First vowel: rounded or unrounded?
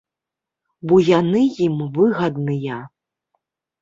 rounded